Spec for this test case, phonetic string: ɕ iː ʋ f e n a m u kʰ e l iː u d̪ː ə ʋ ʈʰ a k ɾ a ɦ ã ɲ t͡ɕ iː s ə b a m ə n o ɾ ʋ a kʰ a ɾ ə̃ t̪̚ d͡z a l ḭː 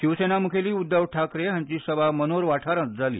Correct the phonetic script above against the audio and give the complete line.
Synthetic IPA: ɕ i ʋ s e n a m u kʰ e l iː u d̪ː ə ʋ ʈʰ a k ɾ e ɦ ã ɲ t͡ɕ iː s ə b a m ə n o ɾ ʋ a ʈʰ a ɾ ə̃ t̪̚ d͡z a l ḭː